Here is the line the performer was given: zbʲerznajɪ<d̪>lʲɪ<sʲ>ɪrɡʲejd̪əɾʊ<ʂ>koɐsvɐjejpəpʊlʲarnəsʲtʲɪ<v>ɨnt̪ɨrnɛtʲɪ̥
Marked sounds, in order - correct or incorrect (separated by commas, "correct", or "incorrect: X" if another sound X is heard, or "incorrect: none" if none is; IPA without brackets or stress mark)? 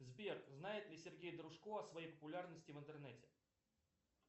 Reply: incorrect: t̪, correct, correct, correct